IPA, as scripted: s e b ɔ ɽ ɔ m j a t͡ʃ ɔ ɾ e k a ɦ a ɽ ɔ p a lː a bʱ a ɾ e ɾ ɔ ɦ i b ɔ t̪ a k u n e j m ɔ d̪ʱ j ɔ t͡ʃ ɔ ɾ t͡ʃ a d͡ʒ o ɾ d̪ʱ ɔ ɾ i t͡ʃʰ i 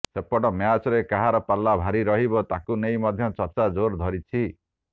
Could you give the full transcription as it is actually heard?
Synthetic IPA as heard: s e p ɔ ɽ ɔ m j a t͡ʃ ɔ ɾ e k a ɦ a ɾ ɔ p a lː a bʱ a ɾ i ɾ ɔ ɦ i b ɔ t̪ a k u n e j m ɔ d̪ʱ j ɔ t͡ʃ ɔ ɾ t͡ʃ a d͡ʒ o ɾ d̪ʱ ɔ ɾ i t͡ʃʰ i